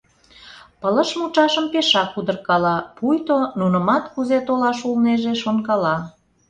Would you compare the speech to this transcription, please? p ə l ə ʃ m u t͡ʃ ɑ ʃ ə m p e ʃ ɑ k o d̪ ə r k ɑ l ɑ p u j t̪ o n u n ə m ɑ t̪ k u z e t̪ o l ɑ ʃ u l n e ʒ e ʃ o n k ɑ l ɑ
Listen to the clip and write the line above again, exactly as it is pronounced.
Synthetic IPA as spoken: p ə l ə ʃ m u t͡ʃ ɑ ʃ ə m p e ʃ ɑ k u d̪ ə r k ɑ l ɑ p u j t̪ o n u n ə m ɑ t̪ k u z e t̪ o l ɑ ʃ u l n e ʒ e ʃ o n k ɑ l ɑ